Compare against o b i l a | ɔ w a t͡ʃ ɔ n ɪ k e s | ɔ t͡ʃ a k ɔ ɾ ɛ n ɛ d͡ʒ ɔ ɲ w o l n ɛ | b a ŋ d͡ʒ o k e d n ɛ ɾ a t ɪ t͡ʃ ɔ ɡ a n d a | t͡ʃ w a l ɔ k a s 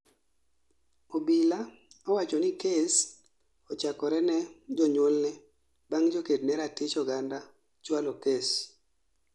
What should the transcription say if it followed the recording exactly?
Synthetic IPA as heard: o b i l a | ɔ w a t͡ʃ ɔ n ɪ k e s | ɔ t͡ʃ a k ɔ ɾ ɛ n ɛ d͡ʒ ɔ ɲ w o l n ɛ | b a ŋ d͡ʒ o k e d n ɛ ɾ a t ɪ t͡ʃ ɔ ɡ a n d a | t͡ʃ w a l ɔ k e s